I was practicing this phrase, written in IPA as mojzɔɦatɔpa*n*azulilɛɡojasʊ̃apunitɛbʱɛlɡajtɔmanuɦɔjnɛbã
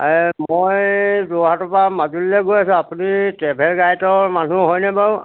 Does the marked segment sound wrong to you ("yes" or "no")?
yes